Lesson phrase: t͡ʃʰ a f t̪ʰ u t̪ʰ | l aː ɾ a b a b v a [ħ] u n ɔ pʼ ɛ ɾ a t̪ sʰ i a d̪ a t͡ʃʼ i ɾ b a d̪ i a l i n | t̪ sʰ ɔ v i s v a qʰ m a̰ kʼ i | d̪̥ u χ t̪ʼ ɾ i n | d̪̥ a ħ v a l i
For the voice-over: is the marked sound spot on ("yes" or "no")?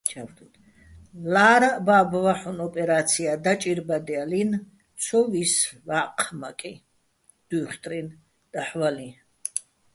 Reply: yes